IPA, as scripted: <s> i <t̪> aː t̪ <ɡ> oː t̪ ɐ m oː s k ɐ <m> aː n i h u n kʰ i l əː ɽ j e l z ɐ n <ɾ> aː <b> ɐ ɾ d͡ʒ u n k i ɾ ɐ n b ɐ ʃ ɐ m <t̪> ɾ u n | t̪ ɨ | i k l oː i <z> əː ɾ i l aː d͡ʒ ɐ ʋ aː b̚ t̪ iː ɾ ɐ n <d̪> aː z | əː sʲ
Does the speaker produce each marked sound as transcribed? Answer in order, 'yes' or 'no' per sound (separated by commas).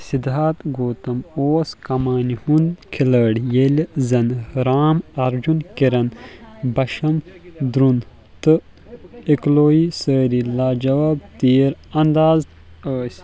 yes, no, yes, yes, yes, no, no, no, yes